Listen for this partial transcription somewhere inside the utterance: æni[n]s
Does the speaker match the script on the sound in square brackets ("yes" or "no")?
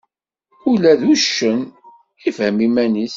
no